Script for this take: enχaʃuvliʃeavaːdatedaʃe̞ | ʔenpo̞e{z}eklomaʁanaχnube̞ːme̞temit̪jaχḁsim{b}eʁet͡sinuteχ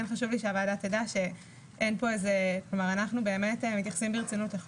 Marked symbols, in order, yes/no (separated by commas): yes, yes